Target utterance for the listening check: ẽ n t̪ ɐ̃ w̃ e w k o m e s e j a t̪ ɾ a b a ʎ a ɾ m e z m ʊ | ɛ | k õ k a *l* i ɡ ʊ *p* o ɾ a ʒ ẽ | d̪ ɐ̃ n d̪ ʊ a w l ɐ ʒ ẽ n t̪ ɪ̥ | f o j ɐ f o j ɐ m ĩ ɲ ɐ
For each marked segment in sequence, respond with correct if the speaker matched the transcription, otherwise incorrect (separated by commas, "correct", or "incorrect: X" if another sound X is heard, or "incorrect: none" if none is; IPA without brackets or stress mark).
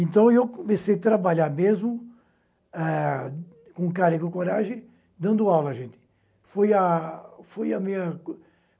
incorrect: ɾ, incorrect: k